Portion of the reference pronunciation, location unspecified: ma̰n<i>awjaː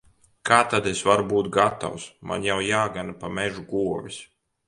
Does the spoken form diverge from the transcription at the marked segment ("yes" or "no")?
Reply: yes